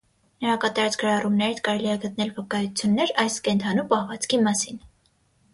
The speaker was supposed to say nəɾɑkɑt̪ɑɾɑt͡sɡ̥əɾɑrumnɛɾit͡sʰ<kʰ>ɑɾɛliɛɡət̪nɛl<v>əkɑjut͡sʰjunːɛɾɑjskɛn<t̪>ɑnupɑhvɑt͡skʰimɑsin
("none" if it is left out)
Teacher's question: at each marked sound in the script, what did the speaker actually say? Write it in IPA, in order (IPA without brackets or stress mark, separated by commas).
k, v, t̪ʰ